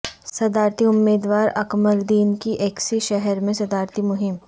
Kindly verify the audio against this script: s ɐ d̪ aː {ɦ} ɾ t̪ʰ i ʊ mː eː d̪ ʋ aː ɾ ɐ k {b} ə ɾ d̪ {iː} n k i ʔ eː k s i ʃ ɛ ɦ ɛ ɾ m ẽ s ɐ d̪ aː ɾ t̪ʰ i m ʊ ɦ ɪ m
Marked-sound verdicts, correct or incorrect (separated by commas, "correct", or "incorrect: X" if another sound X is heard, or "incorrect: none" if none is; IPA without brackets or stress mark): incorrect: none, incorrect: m, correct